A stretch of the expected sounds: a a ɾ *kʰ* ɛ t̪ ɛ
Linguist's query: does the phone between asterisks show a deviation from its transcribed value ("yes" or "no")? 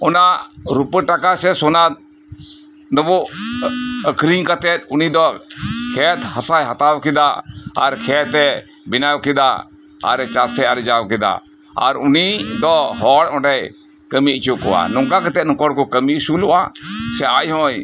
no